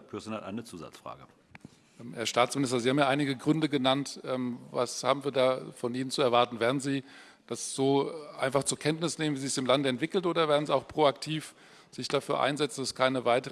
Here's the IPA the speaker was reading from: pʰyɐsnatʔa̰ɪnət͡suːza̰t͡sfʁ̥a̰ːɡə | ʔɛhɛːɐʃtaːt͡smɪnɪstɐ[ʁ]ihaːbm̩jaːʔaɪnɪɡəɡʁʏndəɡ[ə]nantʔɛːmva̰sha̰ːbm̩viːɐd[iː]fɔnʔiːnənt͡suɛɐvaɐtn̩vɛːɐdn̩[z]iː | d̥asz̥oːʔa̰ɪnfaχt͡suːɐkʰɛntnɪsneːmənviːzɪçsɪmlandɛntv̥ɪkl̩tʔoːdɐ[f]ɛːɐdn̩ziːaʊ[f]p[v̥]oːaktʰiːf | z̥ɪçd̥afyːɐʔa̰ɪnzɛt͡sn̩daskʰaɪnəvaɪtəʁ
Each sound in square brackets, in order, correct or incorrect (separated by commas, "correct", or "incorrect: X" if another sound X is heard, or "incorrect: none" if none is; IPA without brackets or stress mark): incorrect: z, correct, incorrect: aː, correct, incorrect: v, incorrect: x, incorrect: ʁ̥